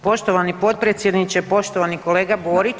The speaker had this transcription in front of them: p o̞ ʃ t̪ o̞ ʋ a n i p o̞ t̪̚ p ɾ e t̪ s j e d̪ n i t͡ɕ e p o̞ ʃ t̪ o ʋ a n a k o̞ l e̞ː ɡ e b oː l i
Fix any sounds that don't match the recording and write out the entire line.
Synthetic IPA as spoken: p o̞ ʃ t̪ o̞ ʋ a n i p o̞ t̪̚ p ɾ e t̪ s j e d̪ n i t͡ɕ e p o̞ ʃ t̪ o ʋ a n i k o̞ l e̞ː ɡ a b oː ɾ i